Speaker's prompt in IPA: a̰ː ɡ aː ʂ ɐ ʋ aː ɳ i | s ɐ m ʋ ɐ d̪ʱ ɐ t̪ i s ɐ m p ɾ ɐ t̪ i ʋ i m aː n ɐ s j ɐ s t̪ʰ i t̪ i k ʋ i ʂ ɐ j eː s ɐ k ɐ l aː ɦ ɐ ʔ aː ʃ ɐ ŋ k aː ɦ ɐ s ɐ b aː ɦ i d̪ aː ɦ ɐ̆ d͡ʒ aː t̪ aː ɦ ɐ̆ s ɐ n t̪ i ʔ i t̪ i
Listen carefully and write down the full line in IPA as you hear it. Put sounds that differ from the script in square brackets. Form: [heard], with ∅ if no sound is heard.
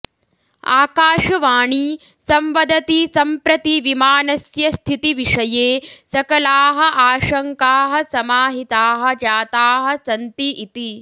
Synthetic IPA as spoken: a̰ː [k] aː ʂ ɐ ʋ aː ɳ i | s ɐ m ʋ ɐ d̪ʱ ɐ t̪ i s ɐ m p ɾ ɐ t̪ i ʋ i m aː n ɐ s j ɐ s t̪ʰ i t̪ i [∅] ʋ i ʂ ɐ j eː s ɐ k ɐ l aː ɦ ɐ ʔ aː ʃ ɐ ŋ k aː ɦ ɐ s ɐ [m] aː ɦ i [t̪] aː ɦ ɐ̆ d͡ʒ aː t̪ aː ɦ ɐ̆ s ɐ n t̪ i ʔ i t̪ i